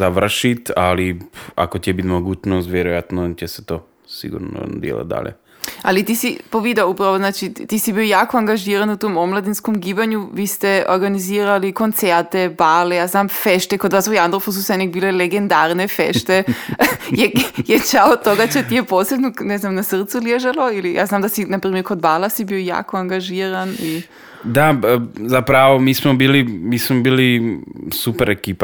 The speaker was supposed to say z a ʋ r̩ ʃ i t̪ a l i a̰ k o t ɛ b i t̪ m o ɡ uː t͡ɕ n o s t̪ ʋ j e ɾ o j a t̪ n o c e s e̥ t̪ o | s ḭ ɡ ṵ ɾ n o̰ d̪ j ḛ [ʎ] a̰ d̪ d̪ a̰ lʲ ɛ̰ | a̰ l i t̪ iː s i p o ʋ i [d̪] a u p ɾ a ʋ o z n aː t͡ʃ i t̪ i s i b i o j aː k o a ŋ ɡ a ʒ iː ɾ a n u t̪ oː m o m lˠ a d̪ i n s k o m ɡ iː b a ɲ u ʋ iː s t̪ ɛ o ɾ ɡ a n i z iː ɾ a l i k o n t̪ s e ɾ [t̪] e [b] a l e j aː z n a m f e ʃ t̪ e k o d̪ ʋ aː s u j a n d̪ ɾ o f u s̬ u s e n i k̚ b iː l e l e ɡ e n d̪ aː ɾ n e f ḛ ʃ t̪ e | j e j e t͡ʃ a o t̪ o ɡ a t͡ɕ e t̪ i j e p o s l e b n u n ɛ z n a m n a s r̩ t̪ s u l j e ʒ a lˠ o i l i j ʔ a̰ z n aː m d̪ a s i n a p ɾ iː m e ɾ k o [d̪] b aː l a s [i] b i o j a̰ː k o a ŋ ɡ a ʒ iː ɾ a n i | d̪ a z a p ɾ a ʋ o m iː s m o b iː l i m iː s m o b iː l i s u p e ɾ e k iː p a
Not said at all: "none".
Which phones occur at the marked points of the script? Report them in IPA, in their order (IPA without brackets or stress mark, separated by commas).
l, d̪, t̪, b, d̪, i